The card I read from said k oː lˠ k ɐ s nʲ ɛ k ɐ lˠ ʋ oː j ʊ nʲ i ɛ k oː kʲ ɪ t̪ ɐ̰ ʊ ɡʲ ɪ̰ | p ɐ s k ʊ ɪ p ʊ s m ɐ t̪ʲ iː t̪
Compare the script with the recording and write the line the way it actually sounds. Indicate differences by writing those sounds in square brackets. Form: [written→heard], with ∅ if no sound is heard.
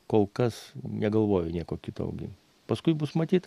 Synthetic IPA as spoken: k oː lˠ k ɐ s nʲ ɛ [k→ɡ] ɐ lˠ ʋ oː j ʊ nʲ i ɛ k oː kʲ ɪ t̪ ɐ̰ ʊ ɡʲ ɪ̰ | p ɐ s k ʊ ɪ [p→b] ʊ s m ɐ t̪ʲ iː t̪